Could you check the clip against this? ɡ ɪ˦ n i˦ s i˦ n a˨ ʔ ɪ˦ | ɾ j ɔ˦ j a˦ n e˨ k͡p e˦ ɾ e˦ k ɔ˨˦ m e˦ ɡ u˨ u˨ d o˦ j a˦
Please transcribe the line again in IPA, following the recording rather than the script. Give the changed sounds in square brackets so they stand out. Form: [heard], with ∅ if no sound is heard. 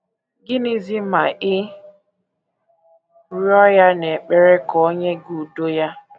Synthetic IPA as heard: ɡ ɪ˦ n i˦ [z] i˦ [m] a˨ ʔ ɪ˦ | ɾ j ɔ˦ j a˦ n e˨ k͡p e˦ ɾ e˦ k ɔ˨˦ [ɲ] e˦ ɡ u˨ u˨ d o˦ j a˦